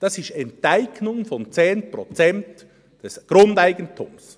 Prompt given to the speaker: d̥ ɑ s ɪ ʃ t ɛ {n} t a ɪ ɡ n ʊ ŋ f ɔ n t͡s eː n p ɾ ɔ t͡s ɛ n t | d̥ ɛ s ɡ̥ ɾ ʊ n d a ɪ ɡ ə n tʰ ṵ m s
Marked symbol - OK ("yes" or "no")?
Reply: yes